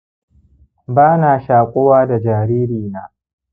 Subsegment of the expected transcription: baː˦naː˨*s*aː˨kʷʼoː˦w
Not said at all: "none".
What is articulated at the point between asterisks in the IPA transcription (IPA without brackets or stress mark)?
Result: ʃ